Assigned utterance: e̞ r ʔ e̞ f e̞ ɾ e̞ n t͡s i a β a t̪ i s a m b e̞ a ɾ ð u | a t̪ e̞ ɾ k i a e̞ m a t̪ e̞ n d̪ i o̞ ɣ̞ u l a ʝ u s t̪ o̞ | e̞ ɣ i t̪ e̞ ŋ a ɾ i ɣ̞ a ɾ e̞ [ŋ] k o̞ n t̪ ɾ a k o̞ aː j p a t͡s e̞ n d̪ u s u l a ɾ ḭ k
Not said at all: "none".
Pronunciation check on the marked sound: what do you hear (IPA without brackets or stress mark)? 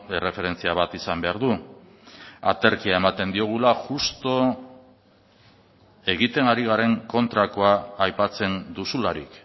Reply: ŋ